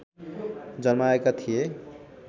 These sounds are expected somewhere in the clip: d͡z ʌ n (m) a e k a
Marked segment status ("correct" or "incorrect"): correct